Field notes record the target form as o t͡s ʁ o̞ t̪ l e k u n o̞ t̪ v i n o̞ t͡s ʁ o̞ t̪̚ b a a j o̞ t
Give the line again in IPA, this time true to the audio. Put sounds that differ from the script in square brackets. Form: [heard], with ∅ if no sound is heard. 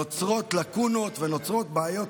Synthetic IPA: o t͡s ʁ o̞ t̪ l [a] k u n o̞ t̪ v [e] n o̞ t͡s ʁ o̞ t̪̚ b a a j o̞ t